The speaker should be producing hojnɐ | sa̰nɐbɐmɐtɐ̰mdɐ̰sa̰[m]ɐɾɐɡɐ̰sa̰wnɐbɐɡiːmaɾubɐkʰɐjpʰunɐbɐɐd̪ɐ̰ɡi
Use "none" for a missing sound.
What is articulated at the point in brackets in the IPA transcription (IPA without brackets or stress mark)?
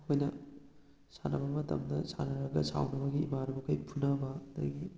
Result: n